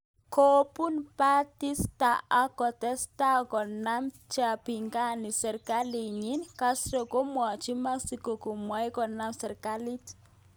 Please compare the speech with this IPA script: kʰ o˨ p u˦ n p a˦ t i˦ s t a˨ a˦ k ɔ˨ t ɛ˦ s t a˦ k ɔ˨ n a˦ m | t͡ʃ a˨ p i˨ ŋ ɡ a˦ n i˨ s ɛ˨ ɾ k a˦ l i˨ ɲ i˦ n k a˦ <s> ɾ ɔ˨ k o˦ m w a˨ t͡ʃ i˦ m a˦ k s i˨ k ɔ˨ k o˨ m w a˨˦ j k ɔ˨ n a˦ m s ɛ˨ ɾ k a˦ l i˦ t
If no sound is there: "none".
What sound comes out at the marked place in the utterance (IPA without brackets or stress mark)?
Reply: s